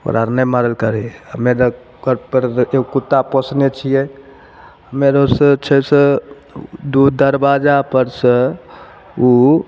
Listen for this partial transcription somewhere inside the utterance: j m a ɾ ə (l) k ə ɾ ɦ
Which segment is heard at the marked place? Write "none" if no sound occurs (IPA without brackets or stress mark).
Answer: l